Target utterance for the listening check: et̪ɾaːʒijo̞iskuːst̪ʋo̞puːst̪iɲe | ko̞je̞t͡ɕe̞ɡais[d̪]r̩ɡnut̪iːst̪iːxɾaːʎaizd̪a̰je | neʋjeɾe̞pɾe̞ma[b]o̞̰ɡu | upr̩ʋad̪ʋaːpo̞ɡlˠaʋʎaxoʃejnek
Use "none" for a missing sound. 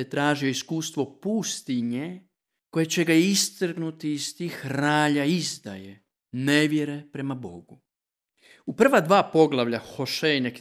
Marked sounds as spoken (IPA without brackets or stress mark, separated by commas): t̪, b